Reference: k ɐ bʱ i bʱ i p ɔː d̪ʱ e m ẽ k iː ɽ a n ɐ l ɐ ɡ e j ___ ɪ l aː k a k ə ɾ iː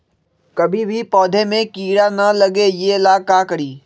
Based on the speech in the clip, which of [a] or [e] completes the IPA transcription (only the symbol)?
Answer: e